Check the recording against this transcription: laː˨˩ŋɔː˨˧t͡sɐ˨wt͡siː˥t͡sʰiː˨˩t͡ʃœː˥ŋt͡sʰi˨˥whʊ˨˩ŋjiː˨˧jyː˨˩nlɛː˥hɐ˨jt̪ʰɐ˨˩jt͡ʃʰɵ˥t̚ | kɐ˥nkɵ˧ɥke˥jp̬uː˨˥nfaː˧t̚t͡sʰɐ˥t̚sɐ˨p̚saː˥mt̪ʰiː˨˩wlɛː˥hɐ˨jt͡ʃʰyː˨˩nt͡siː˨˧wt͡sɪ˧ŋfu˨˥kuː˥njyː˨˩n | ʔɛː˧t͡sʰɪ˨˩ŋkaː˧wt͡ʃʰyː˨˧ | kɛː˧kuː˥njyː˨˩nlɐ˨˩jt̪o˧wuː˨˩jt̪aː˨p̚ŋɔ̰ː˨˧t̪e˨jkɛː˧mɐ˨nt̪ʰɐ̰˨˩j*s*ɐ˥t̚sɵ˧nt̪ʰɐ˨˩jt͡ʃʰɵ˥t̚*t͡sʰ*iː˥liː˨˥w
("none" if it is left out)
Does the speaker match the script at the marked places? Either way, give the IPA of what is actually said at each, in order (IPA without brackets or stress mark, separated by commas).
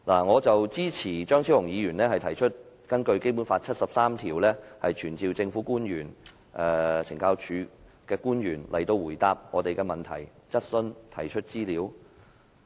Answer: t͡s, t͡s